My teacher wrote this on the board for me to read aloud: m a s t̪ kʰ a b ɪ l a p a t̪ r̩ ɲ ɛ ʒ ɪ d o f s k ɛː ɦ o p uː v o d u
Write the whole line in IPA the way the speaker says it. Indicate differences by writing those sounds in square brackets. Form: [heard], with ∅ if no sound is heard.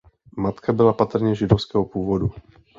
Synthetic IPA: m a [∅] t̪ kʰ a b ɪ l a p a t̪ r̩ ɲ ɛ ʒ ɪ d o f s k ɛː ɦ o p uː v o d u